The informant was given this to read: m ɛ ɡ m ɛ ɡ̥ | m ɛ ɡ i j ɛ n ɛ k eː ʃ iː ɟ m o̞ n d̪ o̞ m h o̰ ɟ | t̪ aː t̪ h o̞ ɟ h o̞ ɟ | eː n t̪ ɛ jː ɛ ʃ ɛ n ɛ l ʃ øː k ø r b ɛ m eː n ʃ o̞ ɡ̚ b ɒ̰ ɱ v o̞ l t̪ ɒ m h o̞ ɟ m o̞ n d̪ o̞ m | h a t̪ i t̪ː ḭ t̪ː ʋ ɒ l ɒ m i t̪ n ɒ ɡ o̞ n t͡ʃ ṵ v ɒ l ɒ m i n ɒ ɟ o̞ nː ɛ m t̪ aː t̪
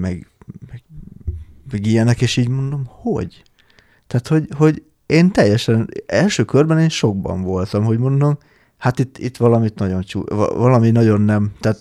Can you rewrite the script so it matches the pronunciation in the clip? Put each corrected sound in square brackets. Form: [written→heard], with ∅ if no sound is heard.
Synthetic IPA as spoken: m ɛ ɡ m ɛ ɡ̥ | m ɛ ɡ i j ɛ n ɛ k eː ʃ iː ɟ m o̞ n d̪ o̞ m h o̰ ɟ | t̪ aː t̪ h o̞ ɟ h o̞ ɟ | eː n t̪ ɛ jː ɛ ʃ ɛ n ɛ l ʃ øː k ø r b ɛ [m→n] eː n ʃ o̞ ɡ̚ b ɒ̰ ɱ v o̞ l t̪ ɒ m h o̞ ɟ m o̞ n d̪ o̞ m | h a t̪ i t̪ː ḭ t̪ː ʋ ɒ l ɒ m i t̪ n ɒ [ɡ→ɟ] o̞ n t͡ʃ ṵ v ɒ l ɒ m i n ɒ ɟ o̞ nː ɛ m t̪ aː t̪